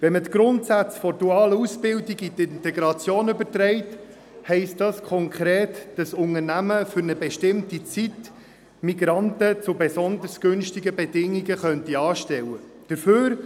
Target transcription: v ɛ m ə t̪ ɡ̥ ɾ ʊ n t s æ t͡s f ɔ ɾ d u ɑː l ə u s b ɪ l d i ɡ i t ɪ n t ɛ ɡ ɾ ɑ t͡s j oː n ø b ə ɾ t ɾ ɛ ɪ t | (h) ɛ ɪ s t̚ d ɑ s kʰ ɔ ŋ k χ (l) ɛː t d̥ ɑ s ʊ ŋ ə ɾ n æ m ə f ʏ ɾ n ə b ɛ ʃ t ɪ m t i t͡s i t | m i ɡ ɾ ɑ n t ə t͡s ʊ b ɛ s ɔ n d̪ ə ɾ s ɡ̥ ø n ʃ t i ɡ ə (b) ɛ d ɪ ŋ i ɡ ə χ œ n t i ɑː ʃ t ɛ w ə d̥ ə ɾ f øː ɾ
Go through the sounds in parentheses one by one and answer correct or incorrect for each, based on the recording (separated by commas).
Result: correct, incorrect, correct